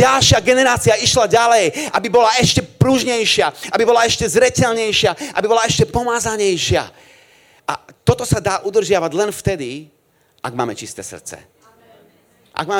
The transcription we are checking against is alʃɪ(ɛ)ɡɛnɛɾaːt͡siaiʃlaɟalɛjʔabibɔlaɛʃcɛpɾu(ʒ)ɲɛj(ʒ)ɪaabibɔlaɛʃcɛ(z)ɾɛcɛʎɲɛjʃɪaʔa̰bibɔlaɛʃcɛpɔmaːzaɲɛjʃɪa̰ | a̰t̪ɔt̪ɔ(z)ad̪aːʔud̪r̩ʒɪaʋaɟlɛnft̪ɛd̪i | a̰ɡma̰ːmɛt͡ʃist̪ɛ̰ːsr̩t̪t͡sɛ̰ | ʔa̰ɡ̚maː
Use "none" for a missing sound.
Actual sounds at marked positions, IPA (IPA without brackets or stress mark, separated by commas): a, ʒ, ʃ, z, s